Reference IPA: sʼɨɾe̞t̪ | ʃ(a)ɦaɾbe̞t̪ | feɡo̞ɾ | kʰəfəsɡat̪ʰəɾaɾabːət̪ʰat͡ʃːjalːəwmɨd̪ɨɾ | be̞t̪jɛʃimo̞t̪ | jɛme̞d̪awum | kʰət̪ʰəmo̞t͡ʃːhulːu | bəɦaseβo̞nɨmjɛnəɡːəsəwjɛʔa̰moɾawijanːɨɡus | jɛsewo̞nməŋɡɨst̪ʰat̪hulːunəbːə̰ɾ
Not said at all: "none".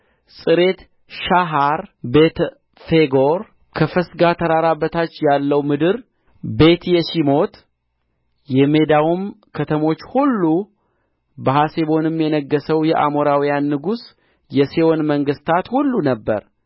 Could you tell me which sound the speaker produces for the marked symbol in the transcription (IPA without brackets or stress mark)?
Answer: a